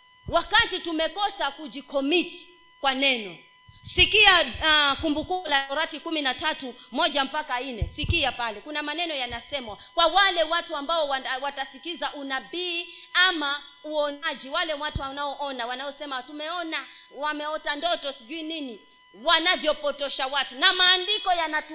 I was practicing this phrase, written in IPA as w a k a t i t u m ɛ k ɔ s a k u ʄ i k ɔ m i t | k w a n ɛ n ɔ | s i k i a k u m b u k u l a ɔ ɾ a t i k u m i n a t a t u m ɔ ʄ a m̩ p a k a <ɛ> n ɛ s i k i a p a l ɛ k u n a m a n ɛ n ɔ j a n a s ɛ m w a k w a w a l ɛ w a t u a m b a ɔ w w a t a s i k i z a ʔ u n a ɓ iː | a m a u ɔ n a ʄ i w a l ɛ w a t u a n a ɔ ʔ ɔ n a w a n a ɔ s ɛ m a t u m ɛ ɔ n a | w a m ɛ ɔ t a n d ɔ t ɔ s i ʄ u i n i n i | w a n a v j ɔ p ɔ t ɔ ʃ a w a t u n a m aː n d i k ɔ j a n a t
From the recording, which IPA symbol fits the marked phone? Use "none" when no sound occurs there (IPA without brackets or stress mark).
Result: i